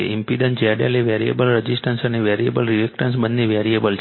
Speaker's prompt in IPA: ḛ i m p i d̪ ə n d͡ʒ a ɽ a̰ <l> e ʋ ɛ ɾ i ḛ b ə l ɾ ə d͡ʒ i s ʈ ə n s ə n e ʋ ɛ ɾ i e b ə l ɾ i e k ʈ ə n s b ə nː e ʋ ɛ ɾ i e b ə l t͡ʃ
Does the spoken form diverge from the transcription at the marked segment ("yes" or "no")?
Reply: no